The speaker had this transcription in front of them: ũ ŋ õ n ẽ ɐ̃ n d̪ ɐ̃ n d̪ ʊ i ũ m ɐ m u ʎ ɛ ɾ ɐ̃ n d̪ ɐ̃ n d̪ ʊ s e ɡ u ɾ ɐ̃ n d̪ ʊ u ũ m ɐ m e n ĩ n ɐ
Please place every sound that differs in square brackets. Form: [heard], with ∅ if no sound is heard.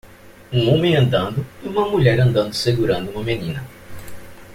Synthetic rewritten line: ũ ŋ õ [m] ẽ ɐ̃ n d̪ ɐ̃ n d̪ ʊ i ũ m ɐ m u ʎ ɛ ɾ ɐ̃ n d̪ ɐ̃ n d̪ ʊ s e ɡ u ɾ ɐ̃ n d̪ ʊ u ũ m ɐ m e n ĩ n ɐ

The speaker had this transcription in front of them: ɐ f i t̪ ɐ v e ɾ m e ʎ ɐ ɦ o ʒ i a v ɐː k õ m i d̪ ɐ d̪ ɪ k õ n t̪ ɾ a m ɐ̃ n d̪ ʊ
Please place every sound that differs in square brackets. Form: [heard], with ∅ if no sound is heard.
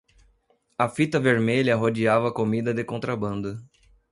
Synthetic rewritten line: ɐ f i t̪ ɐ v e ɾ m e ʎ ɐ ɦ o [d͡ʒ] i a v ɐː k [o] m i d̪ ɐ d̪ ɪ k õ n t̪ ɾ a [b] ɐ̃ n d̪ ʊ

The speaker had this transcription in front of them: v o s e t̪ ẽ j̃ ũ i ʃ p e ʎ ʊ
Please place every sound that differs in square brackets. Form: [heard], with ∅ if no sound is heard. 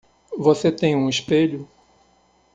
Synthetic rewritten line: v o s e t̪ ẽ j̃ ũ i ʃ p e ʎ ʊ

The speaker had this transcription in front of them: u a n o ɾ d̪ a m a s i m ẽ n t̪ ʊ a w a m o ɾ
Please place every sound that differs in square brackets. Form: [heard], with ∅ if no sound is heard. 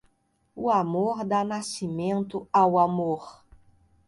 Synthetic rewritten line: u a [m] o ɾ d̪ a [n] a s i m ẽ n t̪ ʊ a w a m o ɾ

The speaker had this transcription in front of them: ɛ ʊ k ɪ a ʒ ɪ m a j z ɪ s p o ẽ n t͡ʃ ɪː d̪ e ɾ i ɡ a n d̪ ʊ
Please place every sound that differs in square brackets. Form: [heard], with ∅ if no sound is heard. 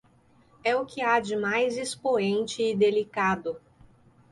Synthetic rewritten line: ɛ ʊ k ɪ a [d͡ʒ] ɪ m a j z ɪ s p o ẽ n t͡ʃ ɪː d̪ e [l] i [k] a [∅] d̪ ʊ

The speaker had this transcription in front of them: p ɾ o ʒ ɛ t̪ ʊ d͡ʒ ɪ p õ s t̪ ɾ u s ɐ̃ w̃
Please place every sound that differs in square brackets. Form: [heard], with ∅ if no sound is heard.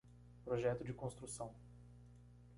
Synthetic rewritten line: p ɾ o ʒ ɛ t̪ ʊ d͡ʒ ɪ [k] õ s t̪ ɾ u s ɐ̃ w̃

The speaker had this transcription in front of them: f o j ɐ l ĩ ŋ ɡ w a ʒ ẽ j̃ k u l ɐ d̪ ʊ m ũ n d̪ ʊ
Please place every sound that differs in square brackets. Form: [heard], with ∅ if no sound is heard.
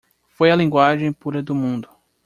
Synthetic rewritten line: f o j ɐ l ĩ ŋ ɡ w a ʒ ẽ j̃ [p] u [ɾ] ɐ d̪ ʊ m ũ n d̪ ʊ

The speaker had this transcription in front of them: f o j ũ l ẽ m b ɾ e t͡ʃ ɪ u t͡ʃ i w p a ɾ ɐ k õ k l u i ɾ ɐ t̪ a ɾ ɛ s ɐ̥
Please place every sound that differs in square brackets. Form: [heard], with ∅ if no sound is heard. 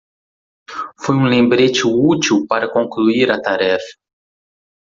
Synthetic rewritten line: f o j ũ l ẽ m b ɾ e t͡ʃ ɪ u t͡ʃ i w p a ɾ ɐ k õ k l u i ɾ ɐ t̪ a ɾ ɛ [f] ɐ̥

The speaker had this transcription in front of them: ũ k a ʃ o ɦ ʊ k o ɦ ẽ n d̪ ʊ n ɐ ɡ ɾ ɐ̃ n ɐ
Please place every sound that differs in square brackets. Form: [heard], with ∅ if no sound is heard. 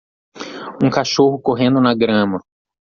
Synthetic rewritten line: ũ k a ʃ o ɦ ʊ k o ɦ ẽ n d̪ ʊ n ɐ ɡ ɾ ɐ̃ [m] ɐ

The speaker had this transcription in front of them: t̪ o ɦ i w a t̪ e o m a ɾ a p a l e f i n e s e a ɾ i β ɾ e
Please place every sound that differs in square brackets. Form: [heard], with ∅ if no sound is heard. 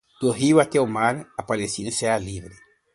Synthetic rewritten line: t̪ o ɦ i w a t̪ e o m a ɾ a p a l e [s] i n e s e a [l] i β ɾ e

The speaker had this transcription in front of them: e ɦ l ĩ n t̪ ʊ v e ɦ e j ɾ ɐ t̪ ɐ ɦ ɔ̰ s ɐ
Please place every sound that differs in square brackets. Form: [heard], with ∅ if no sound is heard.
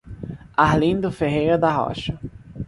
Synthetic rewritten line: [a] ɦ l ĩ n [d̪] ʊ [f] e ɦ e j ɾ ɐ [d̪] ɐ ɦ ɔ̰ [ʃ] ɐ

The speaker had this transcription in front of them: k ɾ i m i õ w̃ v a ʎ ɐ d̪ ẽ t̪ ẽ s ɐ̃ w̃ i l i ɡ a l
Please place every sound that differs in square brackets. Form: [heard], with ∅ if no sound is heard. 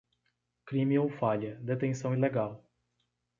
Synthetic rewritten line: k ɾ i m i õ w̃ [f] a ʎ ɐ d̪ [e] t̪ ẽ s ɐ̃ w̃ i l [e] ɡ a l

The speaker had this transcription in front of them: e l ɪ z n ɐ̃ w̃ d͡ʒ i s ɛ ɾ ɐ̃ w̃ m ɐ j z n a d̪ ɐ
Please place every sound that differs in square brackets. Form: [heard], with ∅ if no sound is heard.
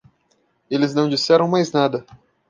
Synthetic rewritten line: e l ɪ z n ɐ̃ w̃ d͡ʒ i s ɛ ɾ ɐ̃ w̃ m [a] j z n a d̪ ɐ

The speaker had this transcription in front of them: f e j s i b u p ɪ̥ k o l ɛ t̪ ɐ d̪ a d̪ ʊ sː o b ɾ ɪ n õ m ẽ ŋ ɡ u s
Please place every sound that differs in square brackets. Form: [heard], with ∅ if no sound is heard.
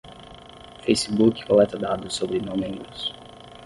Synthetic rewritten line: f e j s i b u [k] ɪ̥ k o l ɛ t̪ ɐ d̪ a d̪ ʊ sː o b ɾ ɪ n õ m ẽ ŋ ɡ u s

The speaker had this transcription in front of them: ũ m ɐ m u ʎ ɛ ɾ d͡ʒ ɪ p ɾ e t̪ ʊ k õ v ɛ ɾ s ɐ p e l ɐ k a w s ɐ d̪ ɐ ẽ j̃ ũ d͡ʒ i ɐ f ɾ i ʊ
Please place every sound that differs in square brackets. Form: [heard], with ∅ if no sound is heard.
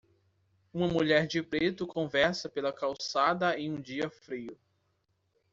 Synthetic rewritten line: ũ m ɐ m u ʎ ɛ ɾ d͡ʒ ɪ p ɾ e t̪ ʊ k õ v ɛ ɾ s ɐ p e l ɐ k a w s [a] d̪ ɐ ẽ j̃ ũ d͡ʒ i ɐ f ɾ i ʊ

